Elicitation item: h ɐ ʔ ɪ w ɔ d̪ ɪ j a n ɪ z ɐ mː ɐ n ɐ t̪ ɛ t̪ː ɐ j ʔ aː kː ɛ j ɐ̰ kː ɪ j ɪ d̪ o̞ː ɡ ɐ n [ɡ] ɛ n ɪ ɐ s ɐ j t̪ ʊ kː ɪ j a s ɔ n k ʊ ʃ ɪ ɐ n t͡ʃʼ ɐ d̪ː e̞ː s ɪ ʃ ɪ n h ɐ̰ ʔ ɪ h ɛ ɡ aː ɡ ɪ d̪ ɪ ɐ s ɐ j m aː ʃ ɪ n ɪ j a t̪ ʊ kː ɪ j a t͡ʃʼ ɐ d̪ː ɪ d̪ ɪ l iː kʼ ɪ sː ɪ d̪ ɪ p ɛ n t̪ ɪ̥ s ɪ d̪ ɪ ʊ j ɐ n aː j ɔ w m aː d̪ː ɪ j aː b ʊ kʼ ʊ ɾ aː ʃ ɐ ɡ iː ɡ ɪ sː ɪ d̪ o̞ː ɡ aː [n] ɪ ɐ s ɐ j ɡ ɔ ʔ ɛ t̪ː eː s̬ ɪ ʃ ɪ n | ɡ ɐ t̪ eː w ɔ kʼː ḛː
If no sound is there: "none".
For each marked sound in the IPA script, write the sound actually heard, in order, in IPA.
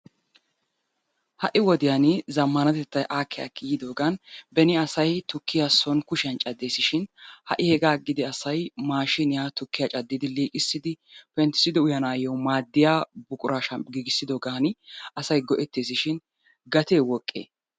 b, n

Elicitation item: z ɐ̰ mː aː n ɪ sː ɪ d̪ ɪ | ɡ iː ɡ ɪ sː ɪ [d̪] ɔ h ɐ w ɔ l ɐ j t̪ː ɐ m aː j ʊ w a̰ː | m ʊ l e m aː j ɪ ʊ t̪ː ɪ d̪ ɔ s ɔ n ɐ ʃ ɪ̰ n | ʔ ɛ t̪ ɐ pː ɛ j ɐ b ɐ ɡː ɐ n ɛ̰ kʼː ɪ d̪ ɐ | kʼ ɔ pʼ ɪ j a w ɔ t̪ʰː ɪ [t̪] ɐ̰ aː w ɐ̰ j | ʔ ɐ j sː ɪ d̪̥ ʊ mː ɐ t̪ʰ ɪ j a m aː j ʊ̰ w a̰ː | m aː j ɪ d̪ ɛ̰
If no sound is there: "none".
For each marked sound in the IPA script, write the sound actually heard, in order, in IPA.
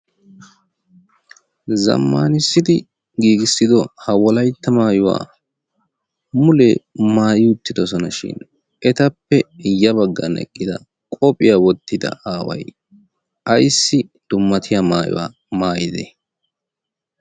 d̪, d̪

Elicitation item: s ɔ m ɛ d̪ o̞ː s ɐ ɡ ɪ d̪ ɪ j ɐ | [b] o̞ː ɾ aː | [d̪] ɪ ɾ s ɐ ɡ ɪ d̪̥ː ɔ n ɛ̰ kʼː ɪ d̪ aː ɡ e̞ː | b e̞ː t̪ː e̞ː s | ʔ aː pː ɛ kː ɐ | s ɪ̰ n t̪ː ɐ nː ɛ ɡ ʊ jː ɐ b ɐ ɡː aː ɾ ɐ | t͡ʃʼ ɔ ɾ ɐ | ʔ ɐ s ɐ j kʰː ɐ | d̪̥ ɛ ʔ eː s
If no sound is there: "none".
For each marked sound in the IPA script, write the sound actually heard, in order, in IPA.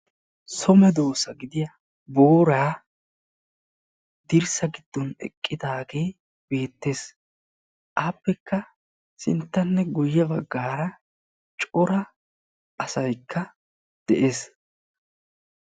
b, d̪

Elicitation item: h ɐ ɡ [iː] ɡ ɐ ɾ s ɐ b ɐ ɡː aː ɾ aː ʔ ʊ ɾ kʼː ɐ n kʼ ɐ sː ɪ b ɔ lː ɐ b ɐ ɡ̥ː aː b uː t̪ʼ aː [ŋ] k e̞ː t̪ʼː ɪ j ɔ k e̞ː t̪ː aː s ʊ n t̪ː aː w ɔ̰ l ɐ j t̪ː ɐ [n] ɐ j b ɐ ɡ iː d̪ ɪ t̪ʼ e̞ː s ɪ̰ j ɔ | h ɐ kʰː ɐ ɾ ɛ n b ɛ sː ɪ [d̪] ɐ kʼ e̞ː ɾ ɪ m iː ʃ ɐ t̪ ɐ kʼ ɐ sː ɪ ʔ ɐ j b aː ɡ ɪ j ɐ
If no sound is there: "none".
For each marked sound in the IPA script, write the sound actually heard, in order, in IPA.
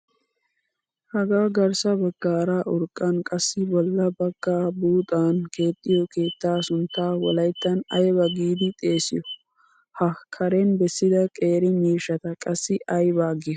aː, n, n, d̪

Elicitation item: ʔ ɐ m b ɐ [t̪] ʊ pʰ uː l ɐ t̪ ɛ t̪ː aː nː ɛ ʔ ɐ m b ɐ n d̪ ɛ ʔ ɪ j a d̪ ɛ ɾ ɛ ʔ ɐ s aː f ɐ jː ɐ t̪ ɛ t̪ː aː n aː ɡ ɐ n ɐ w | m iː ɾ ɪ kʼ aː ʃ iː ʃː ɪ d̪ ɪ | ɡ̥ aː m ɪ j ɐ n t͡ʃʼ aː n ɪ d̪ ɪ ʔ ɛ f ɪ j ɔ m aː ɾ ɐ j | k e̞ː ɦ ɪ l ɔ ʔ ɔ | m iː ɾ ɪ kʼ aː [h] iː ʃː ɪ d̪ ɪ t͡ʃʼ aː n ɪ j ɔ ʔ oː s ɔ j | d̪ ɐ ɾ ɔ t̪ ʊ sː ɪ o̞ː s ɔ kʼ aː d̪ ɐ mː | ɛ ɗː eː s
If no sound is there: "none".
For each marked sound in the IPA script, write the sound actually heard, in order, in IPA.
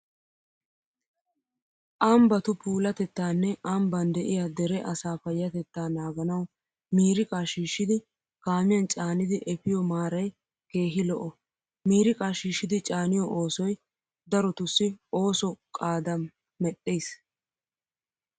t̪, ʃ

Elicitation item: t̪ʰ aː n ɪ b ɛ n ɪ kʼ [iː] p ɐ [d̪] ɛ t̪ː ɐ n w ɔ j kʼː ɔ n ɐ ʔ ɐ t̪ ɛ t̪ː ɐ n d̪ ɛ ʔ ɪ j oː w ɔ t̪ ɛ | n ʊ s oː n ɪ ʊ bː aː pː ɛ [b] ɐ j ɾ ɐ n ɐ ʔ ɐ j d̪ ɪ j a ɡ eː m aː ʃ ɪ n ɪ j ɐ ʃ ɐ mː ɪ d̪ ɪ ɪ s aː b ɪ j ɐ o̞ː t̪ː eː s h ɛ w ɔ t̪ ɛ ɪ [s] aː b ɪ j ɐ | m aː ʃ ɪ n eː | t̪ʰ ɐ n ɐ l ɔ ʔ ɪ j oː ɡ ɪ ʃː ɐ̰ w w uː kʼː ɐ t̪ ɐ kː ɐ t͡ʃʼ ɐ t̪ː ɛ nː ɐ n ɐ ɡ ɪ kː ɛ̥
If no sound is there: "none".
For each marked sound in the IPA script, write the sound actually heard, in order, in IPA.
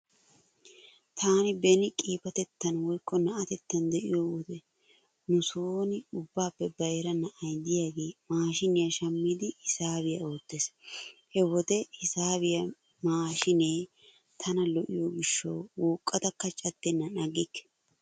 iː, t̪, b, s

